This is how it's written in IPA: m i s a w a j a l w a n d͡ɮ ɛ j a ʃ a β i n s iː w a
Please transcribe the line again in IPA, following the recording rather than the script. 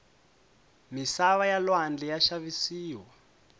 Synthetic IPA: m i s a β a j a l w a n d͡ɮ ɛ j a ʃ a β i s iː w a